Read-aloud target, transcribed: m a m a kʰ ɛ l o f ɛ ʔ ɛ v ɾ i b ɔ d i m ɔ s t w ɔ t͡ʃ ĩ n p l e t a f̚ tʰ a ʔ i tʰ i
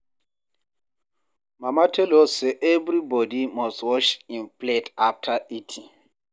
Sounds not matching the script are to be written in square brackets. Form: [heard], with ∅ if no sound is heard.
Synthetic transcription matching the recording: m a m a [tʰ] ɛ l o [s] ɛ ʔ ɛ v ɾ i b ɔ d i m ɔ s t w ɔ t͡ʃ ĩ n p l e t a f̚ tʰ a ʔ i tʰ i